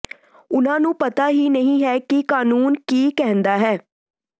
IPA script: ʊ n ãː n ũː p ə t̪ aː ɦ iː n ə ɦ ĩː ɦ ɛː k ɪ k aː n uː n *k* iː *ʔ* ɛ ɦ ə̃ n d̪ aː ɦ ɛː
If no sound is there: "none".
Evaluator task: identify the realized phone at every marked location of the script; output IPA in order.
k, k

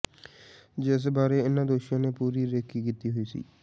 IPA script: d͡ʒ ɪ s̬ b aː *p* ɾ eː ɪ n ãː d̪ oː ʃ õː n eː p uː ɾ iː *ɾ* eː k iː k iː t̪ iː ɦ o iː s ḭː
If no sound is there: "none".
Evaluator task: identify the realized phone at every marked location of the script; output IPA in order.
none, ɾ

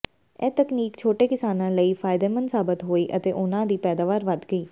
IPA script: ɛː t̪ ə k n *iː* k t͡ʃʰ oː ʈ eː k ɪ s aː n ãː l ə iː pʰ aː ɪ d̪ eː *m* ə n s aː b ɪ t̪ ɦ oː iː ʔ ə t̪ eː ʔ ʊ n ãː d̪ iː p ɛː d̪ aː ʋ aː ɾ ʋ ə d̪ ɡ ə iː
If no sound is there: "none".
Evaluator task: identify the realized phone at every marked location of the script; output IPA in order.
iː, m

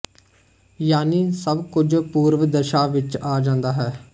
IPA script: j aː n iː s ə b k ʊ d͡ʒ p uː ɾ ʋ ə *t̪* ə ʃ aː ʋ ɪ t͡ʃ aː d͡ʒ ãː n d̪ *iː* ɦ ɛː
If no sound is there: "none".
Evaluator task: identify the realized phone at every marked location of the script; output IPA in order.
d̪, aː

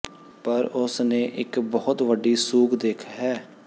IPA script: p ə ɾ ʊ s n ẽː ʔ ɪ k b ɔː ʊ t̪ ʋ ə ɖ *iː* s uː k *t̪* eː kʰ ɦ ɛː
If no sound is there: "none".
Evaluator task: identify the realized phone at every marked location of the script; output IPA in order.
iː, d̪

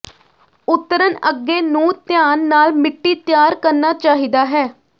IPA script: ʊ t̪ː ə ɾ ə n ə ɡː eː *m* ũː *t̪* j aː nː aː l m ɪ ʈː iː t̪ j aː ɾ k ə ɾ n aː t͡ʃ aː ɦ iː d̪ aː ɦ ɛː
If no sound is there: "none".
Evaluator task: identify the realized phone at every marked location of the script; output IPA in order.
n, t̪

